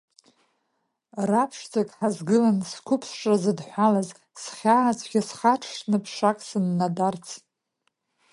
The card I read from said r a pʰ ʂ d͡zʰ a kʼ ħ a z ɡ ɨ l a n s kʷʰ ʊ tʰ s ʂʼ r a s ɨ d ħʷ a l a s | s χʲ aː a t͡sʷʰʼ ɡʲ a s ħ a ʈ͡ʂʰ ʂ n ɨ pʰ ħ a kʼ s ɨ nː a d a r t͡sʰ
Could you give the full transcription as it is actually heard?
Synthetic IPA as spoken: r a pʰ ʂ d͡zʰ a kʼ ħ a z ɡ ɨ l a n s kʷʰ ʊ pʰ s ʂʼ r a z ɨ d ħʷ a l a z | s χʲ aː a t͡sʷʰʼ ɡʲ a s χ a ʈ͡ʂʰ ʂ n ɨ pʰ ʂ a kʼ s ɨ nː a d a r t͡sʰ